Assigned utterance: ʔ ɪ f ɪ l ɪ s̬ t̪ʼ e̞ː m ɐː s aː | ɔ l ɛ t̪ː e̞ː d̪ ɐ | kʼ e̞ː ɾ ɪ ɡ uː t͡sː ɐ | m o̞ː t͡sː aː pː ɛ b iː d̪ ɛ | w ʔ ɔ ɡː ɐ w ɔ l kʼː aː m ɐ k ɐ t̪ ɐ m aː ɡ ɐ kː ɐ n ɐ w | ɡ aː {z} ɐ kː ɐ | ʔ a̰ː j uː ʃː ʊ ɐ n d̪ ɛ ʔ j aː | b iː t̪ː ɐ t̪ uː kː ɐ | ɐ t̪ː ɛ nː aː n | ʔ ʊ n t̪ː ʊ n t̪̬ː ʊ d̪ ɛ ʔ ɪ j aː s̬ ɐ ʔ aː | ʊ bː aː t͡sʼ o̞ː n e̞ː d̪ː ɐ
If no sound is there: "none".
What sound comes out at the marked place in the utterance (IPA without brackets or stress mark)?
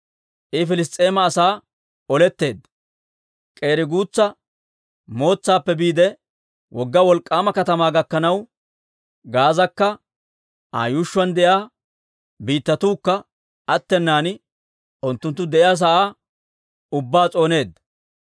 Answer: z